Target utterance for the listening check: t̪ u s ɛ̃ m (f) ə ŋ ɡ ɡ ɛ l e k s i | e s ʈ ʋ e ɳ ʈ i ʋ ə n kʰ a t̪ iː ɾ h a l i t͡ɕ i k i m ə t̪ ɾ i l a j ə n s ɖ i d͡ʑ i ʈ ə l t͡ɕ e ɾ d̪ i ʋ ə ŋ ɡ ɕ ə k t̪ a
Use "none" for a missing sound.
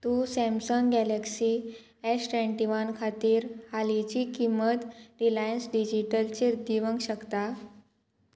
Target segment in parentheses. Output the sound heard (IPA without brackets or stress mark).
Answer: s